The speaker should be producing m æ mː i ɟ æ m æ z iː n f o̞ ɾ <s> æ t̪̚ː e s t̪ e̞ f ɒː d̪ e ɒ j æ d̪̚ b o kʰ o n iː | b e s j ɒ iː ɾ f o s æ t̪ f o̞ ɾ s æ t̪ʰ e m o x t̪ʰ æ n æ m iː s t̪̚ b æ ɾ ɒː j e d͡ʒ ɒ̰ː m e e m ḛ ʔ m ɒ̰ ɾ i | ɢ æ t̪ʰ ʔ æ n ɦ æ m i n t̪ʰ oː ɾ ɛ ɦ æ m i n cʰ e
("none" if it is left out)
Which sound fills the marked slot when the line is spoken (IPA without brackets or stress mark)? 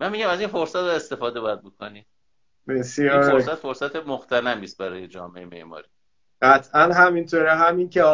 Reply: s